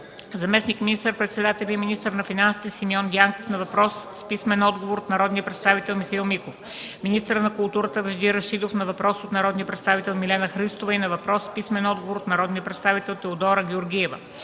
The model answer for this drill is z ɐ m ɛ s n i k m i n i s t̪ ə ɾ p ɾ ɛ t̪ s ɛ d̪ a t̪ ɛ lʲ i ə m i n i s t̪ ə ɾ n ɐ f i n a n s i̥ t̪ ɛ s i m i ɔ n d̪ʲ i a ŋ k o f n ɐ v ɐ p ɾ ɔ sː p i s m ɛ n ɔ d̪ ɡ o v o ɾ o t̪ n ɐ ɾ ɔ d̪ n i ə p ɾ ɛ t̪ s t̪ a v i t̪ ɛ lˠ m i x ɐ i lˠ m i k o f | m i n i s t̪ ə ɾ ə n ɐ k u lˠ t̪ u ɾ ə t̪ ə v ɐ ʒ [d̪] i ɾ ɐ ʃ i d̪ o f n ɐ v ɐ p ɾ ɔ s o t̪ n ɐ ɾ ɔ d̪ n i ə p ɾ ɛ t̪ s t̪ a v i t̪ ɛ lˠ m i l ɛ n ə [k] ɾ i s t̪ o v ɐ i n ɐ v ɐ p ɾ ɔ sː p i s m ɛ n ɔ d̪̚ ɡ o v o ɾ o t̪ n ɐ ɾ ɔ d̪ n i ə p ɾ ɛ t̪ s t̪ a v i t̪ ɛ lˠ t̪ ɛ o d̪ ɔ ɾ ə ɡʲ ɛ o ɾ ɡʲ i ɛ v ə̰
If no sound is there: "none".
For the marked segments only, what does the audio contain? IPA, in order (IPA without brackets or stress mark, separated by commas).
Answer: d̪, x